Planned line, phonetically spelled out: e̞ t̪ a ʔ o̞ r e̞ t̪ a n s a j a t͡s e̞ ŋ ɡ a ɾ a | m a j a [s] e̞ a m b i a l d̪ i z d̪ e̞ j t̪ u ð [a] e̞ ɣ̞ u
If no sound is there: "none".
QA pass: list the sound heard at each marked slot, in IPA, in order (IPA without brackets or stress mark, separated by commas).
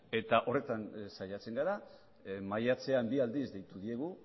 t͡s, i